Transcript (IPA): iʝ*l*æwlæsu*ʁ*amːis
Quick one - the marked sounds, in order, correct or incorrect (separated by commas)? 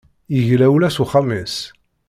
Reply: correct, incorrect